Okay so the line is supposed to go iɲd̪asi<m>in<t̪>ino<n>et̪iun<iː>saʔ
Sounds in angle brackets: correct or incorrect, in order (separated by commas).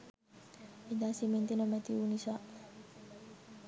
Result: correct, correct, incorrect, incorrect